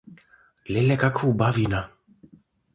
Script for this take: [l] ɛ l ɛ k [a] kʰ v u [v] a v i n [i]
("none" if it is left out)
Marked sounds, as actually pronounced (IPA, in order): l, a, b, a

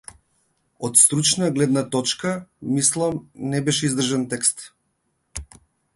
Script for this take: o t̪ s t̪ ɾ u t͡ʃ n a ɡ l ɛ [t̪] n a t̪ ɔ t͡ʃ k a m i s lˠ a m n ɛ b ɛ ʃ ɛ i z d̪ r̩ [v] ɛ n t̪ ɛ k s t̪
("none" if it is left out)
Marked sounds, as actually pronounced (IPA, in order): d̪, ʒ

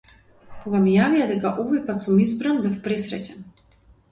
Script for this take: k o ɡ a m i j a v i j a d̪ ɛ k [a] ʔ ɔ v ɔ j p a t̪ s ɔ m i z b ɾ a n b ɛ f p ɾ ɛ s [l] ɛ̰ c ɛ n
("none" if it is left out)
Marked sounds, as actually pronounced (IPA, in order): a, ɾ

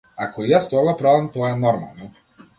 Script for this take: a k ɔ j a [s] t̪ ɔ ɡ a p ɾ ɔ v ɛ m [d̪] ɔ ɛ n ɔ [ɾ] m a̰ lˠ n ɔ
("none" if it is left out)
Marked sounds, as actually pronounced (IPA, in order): s, t̪, ɾ

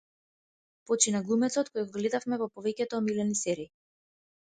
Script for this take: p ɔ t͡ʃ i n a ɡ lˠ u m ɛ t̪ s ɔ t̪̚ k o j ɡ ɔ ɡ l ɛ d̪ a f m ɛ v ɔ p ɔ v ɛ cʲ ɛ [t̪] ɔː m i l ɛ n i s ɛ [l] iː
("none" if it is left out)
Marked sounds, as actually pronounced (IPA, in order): t̪, ɾ

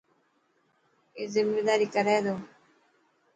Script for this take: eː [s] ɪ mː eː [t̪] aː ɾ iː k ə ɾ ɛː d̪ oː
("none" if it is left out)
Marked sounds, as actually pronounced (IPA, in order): z, d̪

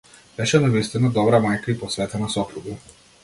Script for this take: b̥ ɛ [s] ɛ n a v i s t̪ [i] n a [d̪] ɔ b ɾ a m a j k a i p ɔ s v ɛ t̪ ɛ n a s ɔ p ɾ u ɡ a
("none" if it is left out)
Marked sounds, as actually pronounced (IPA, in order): ʃ, i, d̪

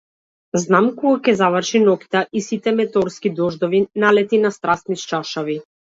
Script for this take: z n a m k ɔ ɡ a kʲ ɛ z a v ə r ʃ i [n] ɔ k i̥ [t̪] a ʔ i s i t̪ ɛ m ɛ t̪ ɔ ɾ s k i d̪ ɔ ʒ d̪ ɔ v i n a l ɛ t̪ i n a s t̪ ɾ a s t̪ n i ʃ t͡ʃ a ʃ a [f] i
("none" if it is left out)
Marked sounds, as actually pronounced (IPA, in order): n, t̪, v

